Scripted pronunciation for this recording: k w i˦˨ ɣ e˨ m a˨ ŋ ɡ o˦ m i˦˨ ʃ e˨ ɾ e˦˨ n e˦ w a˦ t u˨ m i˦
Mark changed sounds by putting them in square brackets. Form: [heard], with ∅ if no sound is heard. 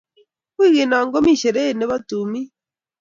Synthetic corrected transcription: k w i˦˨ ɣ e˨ [n] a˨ ŋ ɡ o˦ m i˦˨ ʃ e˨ ɾ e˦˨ n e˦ [β] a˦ t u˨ m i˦